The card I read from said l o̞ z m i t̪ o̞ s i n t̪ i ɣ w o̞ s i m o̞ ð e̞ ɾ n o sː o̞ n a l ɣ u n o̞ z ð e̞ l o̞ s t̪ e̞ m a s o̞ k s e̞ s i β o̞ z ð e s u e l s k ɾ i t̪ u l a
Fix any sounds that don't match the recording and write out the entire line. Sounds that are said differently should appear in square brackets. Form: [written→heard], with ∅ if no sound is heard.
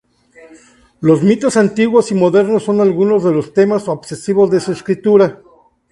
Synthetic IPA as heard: l o̞ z m i t̪ o̞ s [i→a] n t̪ i ɣ w o̞ s i m o̞ ð e̞ ɾ n o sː o̞ n a l ɣ u n o̞ z ð e̞ l o̞ s t̪ e̞ m a s o̞ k s e̞ s i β o̞ z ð e s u e [l→∅] s k ɾ i t̪ u [l→ɾ] a